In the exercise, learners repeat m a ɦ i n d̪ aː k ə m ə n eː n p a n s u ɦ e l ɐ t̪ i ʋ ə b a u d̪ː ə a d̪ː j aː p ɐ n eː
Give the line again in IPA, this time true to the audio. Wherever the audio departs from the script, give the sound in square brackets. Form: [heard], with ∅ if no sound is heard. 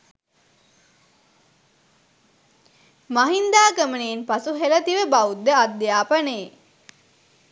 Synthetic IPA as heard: m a ɦ i n d̪ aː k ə m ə n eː n p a [∅] s u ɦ e l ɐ t̪ i ʋ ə b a u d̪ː ə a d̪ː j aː p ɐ n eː